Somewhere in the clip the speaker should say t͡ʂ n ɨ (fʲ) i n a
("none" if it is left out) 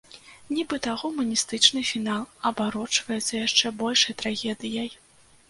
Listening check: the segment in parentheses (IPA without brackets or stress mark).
fʲ